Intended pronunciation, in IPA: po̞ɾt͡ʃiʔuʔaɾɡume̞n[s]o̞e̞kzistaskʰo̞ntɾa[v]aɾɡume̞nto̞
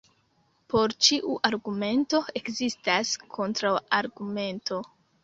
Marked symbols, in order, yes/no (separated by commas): no, no